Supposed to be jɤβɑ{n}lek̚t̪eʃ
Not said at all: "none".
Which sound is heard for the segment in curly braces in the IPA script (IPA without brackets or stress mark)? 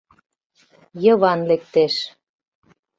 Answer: n